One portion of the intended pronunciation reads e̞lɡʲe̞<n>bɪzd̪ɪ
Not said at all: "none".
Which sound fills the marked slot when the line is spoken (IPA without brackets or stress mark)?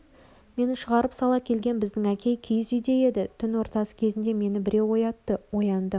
n